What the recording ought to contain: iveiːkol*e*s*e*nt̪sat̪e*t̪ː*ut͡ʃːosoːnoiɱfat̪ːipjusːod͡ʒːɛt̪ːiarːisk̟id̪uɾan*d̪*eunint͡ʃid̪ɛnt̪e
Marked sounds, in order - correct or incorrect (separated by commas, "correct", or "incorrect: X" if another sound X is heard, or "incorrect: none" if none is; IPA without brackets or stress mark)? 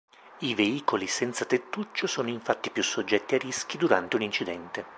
incorrect: i, incorrect: ɛ, correct, incorrect: t̪